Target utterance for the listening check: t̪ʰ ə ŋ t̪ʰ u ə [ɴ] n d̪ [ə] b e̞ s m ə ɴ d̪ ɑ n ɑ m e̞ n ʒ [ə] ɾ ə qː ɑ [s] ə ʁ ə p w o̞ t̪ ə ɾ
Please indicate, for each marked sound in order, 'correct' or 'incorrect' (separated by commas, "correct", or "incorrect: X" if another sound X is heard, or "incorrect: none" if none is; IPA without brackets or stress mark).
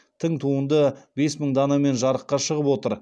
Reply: incorrect: none, correct, incorrect: ɑ, incorrect: ʃ